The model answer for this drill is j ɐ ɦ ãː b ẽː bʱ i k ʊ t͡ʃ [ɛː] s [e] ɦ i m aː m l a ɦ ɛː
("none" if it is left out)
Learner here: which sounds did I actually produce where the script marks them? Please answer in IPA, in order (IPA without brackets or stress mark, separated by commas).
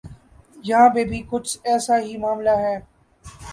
ɛː, a